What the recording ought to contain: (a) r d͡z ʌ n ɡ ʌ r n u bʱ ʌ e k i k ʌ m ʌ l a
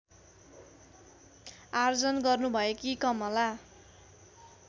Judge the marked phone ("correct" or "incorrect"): correct